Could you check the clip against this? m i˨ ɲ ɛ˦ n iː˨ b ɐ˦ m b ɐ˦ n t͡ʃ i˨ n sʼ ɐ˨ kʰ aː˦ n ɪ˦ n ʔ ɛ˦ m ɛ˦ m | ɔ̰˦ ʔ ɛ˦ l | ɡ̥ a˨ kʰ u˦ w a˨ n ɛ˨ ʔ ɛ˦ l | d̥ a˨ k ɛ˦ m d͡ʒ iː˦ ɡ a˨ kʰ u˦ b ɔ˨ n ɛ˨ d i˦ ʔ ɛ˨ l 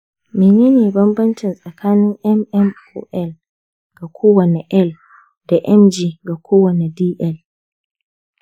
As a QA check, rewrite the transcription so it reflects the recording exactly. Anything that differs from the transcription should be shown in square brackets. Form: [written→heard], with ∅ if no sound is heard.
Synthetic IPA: m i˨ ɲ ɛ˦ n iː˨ b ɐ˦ m b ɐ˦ n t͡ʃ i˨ n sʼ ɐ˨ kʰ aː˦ n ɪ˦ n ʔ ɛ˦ m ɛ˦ m | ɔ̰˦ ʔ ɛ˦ l | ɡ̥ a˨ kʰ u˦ w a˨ n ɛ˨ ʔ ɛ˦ l | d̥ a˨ [k→ʔ] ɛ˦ m d͡ʒ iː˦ ɡ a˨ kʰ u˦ [b→w] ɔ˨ n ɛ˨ d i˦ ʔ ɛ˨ l